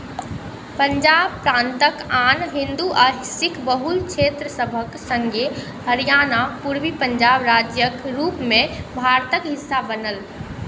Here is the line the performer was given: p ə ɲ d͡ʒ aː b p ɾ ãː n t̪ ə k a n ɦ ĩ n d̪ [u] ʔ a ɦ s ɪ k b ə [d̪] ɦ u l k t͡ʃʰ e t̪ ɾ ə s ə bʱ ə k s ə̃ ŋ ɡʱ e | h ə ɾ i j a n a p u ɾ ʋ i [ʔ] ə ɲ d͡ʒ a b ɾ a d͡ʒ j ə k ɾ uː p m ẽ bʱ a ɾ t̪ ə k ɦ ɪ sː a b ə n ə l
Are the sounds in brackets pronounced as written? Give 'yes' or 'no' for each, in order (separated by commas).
yes, no, no